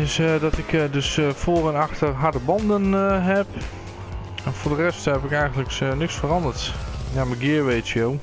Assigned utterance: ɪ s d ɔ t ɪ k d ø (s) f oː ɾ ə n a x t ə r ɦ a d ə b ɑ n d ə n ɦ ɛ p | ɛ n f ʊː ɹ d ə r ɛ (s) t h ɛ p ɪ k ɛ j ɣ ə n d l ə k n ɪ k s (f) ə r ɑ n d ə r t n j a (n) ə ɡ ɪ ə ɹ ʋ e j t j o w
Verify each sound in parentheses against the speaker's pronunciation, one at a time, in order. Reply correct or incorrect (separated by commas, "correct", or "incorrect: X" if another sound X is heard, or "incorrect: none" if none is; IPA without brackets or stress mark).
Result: correct, correct, correct, incorrect: m